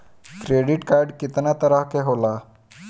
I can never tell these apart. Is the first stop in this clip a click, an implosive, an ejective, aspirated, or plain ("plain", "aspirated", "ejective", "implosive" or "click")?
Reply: plain